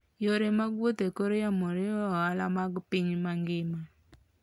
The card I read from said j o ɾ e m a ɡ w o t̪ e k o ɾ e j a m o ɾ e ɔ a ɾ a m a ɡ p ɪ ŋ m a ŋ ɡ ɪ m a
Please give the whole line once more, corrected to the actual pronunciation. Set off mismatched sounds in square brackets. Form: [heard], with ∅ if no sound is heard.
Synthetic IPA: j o ɾ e m a ɡ w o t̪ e k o ɾ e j a m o ɾ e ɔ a [l] a m a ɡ p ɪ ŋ m a ŋ ɡ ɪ m a